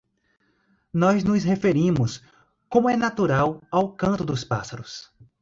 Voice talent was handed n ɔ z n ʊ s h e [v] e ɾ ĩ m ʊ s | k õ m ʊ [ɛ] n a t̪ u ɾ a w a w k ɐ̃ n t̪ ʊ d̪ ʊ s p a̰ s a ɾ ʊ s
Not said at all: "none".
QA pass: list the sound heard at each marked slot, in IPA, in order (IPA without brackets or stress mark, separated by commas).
f, ɛ